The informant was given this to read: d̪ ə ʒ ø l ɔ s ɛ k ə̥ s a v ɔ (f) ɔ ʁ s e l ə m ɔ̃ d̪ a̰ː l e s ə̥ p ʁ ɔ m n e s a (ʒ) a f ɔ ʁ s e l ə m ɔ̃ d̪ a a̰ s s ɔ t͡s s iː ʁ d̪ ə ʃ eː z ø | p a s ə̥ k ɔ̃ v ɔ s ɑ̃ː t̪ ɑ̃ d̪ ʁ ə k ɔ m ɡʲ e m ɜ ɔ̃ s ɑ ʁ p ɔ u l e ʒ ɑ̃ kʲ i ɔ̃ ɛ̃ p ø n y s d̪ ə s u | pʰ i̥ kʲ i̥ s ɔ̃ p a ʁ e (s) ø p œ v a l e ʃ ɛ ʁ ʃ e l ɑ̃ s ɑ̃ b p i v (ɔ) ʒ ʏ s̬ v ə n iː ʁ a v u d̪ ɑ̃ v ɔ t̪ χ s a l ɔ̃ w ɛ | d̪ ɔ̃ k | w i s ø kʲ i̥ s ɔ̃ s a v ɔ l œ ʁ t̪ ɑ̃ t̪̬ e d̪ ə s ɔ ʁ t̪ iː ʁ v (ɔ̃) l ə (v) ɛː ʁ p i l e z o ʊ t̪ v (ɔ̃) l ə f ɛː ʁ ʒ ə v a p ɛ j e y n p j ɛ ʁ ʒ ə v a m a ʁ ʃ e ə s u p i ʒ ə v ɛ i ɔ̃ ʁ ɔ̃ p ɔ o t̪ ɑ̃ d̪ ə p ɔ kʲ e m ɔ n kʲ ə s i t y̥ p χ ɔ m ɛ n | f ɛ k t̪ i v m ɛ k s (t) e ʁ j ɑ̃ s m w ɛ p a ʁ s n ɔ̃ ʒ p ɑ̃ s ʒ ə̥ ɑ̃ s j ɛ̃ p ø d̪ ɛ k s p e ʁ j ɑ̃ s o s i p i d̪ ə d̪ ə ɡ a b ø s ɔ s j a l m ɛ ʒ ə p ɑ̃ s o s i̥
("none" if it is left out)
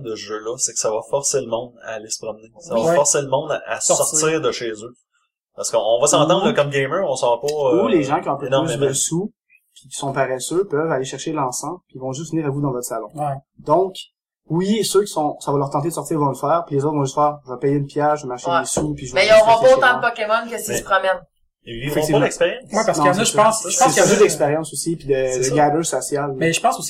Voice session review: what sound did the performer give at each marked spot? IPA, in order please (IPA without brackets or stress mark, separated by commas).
f, v, s, ɔ̃, ɔ̃, f, ɔ̃, p